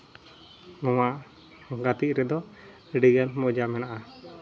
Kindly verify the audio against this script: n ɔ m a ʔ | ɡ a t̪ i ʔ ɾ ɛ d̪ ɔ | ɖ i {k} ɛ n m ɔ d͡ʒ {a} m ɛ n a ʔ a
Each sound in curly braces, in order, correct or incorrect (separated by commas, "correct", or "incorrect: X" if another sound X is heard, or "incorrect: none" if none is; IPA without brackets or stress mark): incorrect: ɡ, correct